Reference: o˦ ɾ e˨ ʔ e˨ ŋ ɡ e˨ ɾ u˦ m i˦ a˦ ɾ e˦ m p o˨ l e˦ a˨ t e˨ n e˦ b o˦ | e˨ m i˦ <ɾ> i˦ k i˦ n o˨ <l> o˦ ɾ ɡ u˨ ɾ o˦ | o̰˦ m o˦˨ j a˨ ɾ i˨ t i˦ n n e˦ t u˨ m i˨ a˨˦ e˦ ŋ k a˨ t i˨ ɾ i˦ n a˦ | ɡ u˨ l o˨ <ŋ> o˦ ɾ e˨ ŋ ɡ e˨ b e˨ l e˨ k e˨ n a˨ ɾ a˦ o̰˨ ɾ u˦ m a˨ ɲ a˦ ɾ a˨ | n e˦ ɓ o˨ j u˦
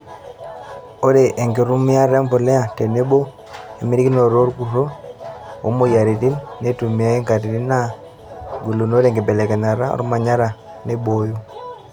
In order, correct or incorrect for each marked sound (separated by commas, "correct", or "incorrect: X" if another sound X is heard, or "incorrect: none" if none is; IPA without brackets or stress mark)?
correct, incorrect: ɾ, incorrect: n